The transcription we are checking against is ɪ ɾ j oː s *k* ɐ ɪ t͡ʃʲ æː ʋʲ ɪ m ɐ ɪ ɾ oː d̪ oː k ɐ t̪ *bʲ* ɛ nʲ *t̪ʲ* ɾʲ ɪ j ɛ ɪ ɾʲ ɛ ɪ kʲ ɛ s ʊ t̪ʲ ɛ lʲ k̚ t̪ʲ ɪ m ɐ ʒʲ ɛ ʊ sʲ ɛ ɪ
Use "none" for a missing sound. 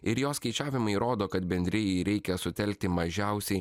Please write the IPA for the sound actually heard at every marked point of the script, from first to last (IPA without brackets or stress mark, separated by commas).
k, bʲ, d̪ʲ